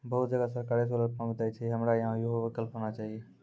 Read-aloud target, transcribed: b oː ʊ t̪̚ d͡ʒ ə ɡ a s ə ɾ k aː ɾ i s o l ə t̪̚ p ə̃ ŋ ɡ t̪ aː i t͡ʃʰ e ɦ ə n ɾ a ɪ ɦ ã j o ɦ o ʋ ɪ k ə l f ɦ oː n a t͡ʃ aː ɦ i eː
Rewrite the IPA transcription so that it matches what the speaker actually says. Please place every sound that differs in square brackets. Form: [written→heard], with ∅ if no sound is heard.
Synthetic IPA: b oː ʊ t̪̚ d͡ʒ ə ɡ a s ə ɾ k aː ɾ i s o l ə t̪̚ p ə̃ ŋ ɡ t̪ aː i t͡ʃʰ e ɦ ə [n→m] ɾ a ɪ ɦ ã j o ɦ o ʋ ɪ k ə l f ɦ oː n a t͡ʃ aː ɦ i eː